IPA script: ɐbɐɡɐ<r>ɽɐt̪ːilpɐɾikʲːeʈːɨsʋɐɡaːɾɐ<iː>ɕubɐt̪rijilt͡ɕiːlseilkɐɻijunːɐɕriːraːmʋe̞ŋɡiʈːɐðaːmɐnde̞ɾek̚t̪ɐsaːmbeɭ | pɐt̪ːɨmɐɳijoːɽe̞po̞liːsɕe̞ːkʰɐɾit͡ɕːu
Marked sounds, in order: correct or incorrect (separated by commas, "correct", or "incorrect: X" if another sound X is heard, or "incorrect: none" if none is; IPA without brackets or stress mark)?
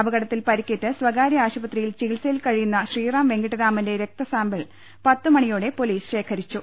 incorrect: none, incorrect: aː